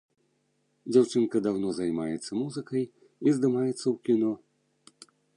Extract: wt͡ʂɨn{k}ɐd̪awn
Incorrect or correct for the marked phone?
correct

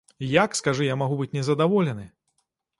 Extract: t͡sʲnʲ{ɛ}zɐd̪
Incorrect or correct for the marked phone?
correct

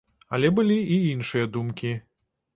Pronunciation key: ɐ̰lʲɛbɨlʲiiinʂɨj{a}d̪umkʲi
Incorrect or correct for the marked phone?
incorrect: ɐ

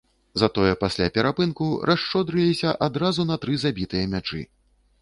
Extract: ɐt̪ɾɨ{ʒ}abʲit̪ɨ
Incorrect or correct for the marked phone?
incorrect: z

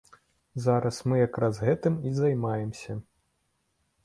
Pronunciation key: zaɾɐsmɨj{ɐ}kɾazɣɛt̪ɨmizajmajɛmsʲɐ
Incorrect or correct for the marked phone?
incorrect: a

